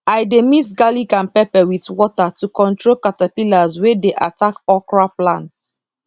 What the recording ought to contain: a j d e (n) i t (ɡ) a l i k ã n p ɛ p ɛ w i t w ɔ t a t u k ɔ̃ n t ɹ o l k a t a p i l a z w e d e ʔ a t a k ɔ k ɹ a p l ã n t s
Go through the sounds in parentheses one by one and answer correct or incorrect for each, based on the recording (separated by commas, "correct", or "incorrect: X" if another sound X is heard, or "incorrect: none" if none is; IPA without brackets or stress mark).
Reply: incorrect: m, correct